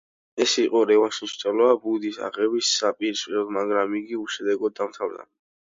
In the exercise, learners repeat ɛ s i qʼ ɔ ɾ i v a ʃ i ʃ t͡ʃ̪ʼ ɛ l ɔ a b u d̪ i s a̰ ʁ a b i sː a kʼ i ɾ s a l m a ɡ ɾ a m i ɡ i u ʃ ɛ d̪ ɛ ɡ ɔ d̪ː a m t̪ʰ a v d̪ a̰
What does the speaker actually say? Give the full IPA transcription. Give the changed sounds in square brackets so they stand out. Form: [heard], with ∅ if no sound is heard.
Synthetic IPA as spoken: ɛ s i qʼ ɔ ɾ [ɛ] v a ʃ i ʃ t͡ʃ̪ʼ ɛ l ɔ a b u d̪ i s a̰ ʁ [ɛ] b i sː a [pʼ] i ɾ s [ɛ] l m a ɡ ɾ a m i ɡ i u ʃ ɛ d̪ ɛ ɡ ɔ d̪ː a m t̪ʰ a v d̪ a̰